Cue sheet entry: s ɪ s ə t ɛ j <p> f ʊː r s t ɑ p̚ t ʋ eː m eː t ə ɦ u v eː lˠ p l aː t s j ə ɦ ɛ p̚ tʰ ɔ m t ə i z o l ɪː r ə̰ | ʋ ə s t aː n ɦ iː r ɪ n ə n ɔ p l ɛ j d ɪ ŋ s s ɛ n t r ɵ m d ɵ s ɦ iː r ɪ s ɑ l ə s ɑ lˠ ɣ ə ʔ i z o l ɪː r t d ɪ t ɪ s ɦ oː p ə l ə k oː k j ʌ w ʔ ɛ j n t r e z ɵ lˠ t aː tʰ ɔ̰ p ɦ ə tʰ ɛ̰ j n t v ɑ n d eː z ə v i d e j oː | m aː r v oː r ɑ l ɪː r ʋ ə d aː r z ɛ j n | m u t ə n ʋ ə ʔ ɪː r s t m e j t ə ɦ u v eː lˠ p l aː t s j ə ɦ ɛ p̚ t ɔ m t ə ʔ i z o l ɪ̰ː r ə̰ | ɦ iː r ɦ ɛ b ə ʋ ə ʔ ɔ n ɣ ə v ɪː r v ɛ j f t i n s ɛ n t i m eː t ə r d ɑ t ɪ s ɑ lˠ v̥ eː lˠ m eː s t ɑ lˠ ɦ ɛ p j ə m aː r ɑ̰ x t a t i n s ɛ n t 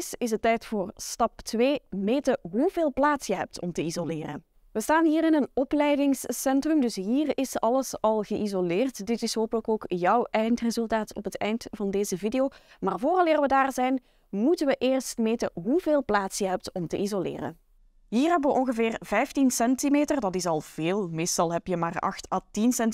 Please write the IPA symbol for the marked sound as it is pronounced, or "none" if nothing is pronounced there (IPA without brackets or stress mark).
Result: t